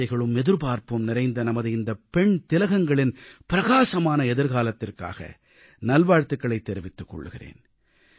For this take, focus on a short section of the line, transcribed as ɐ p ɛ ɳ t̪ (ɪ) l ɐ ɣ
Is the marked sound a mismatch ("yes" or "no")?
no